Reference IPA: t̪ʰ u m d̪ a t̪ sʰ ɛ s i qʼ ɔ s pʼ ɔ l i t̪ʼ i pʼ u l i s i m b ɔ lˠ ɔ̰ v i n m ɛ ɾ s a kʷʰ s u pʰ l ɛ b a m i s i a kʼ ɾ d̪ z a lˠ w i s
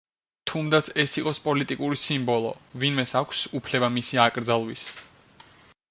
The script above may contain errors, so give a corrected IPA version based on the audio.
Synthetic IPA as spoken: t̪ʰ u m d̪ a t̪ sʰ ɛ s i qʼ ɔ s pʼ ɔ l i t̪ʼ i kʼ u ɾ i s i m b ɔ lˠ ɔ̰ v i n m ɛ s a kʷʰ s u pʰ l ɛ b a m i s i a kʼ ɾ d̪ z a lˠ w i s